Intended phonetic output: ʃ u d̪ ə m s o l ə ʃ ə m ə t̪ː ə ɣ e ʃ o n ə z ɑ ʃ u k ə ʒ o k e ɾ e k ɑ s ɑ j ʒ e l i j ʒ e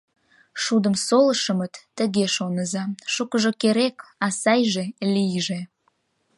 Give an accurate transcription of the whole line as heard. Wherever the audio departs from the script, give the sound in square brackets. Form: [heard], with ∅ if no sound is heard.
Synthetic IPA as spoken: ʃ u d̪ ə m s o l ə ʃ ə m ə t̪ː ə ɣ e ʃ o n ə z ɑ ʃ u k ə ʒ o k e ɾ e k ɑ s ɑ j ʒ e l i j ʒ e